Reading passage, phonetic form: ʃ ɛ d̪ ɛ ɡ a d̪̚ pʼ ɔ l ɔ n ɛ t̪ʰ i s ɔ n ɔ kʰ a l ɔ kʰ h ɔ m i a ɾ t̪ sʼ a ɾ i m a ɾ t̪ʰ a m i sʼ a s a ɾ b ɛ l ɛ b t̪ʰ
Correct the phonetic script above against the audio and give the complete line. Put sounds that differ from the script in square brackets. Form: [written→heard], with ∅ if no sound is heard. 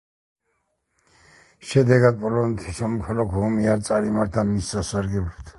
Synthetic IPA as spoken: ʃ ɛ d̪ ɛ ɡ a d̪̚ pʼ ɔ l ɔ n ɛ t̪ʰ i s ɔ [n→m] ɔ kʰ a l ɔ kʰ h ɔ m i a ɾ t̪ sʼ a ɾ i m a ɾ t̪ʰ a m i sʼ a s a ɾ [b→ɡ] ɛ l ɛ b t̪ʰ